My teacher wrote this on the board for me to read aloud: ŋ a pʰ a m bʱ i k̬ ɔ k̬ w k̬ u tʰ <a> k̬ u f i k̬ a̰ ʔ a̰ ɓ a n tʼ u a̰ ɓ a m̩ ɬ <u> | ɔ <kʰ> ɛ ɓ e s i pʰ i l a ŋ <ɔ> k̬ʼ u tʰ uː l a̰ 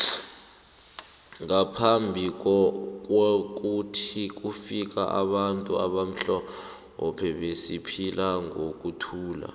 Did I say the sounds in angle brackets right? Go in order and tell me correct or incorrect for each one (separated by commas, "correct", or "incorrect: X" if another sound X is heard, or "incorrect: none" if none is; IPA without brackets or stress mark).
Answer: incorrect: i, incorrect: ɔ, incorrect: pʰ, incorrect: o